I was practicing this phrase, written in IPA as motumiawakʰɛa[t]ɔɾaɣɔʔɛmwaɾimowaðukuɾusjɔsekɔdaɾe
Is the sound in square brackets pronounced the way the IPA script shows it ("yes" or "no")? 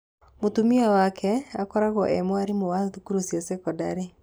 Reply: no